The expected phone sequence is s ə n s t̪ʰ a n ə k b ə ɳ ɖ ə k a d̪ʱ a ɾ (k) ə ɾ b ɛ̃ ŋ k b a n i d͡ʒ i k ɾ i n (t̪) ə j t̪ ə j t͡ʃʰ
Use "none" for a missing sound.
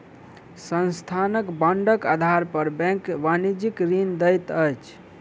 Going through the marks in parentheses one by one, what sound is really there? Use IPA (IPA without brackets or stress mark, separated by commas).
p, d̪